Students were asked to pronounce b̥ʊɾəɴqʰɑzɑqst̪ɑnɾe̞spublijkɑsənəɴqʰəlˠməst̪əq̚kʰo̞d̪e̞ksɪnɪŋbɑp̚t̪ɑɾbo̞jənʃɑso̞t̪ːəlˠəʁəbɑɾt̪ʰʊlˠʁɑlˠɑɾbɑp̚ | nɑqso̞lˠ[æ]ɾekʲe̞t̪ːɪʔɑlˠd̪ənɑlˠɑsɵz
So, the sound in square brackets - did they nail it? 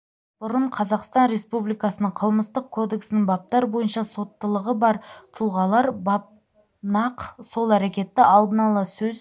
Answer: yes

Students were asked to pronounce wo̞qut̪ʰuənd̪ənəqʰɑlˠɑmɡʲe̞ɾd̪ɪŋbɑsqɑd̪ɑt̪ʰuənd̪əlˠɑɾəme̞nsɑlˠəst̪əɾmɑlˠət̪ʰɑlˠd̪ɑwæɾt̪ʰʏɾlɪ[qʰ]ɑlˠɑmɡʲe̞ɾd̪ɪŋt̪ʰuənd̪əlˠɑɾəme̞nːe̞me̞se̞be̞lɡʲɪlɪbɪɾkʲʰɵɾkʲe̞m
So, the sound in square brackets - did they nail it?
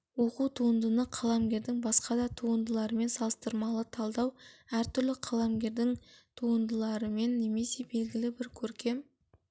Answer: yes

